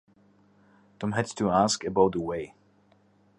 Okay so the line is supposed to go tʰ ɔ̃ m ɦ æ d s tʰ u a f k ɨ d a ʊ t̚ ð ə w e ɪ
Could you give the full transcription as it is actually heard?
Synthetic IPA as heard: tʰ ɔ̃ m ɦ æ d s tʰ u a s k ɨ b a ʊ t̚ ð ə w e ɪ